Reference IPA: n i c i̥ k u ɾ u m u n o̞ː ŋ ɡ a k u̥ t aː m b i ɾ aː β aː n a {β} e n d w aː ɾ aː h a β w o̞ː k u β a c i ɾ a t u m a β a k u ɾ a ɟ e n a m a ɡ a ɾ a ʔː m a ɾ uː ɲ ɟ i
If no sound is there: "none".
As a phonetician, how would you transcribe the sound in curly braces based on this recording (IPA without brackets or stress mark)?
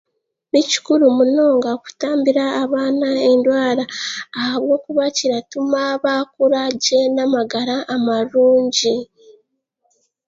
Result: none